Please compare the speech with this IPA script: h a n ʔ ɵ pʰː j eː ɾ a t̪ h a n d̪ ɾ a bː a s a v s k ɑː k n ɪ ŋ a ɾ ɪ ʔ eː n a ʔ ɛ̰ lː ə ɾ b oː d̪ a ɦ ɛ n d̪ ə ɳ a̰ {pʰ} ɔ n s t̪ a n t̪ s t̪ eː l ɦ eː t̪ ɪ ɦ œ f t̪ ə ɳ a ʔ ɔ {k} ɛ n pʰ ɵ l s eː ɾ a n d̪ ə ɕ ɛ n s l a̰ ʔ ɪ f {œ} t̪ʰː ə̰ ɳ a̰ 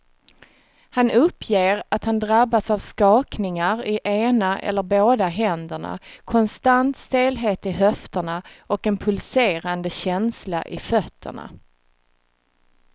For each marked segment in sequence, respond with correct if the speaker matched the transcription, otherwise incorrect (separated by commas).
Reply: incorrect, correct, correct